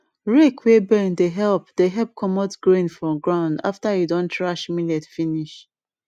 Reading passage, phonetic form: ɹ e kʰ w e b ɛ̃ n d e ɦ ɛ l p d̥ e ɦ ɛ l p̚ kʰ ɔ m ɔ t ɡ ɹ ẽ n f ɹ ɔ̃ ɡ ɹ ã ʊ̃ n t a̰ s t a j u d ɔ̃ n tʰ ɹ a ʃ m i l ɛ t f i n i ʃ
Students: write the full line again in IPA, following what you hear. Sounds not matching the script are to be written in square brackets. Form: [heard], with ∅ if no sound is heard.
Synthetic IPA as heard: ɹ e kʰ w e b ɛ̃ n d e ɦ ɛ l p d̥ e ɦ ɛ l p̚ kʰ ɔ m ɔ t ɡ ɹ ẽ n f ɹ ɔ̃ ɡ ɹ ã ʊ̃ n [d] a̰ [f] t a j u d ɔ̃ n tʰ ɹ a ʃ m i l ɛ t f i n i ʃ